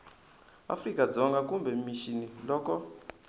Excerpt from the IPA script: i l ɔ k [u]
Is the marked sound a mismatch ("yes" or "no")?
yes